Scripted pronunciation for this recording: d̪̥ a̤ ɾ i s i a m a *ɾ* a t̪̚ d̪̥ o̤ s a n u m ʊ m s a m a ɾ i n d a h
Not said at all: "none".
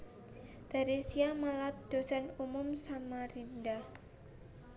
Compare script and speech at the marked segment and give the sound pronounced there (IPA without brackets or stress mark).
l